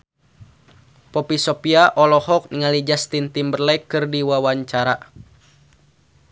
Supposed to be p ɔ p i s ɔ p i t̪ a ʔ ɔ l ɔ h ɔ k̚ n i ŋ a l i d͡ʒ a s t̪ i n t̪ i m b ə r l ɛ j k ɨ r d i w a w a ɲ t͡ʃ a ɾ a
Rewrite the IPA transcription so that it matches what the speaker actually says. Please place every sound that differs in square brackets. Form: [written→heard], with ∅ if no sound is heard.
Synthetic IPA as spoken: p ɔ p i s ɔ p i [t̪→∅] a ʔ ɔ l ɔ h ɔ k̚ n i ŋ a l i d͡ʒ a s t̪ i n t̪ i m b ə r l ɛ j k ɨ r d i w a w a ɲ t͡ʃ a ɾ a